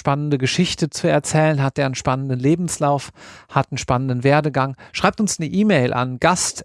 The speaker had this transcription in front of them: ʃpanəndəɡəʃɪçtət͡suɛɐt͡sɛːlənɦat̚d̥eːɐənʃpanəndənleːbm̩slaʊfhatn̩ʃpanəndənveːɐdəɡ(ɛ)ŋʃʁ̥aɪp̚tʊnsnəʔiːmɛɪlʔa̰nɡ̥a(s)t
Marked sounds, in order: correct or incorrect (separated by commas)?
incorrect, correct